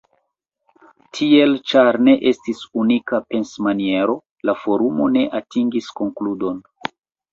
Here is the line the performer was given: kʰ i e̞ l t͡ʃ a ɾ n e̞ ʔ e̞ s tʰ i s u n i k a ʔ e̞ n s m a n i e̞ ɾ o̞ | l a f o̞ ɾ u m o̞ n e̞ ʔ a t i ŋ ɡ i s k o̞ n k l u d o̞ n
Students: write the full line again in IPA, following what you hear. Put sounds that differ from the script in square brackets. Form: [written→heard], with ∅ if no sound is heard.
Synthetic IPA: [kʰ→tʰ] i e̞ l t͡ʃ a ɾ n e̞ ʔ e̞ s [tʰ→t] i s u n i k a [ʔ→p] e̞ n s m a n i e̞ ɾ o̞ | l a f o̞ ɾ u m o̞ n e̞ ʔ a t i ŋ ɡ i s k o̞ [n→ŋ] k l u d o̞ n